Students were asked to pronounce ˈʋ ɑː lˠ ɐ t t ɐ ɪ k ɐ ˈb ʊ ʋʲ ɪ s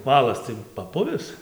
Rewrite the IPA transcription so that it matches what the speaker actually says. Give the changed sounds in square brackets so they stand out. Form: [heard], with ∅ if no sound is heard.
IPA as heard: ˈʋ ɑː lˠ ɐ [s] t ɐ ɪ [p] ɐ [ˈp] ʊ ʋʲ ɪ s